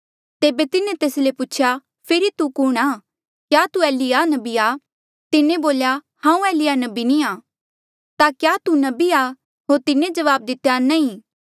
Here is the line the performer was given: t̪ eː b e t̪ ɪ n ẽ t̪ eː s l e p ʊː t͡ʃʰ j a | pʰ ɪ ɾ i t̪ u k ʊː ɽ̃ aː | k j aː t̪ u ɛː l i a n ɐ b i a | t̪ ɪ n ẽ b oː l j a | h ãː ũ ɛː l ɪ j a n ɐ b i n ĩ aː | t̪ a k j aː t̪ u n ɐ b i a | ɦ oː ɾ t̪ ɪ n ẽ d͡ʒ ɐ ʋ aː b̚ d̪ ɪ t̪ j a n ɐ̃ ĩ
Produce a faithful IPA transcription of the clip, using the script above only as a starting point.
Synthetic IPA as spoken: t̪ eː b e t̪ ɪ n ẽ t̪ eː s l e p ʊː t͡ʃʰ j a | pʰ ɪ ɾ i t̪ u k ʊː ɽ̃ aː | k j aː t̪ u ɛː l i a n ɐ b i a | t̪ ɪ n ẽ b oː l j a | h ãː ũ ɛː l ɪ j a n ɐ b i n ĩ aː | t̪ a k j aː t̪ u n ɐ b i a | ɦ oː ɾ t̪ ɪ n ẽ d͡ʒ ɐ ʋ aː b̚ d̪ ɪ t̪ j a n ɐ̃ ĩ